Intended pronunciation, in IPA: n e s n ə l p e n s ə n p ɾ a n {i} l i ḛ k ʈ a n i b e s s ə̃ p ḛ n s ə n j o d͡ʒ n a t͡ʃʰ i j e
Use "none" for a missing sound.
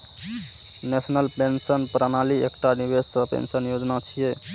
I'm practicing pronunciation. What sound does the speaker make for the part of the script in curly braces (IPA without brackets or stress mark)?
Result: a